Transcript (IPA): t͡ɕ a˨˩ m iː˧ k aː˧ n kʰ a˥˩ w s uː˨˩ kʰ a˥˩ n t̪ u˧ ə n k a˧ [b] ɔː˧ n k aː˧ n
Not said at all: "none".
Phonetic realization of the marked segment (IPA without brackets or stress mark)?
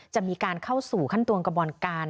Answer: b